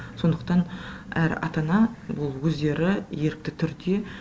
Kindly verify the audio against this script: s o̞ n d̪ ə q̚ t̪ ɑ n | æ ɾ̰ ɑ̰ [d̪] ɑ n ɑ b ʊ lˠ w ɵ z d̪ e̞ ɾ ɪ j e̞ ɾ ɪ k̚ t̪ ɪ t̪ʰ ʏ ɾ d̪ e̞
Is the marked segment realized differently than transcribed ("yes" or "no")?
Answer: yes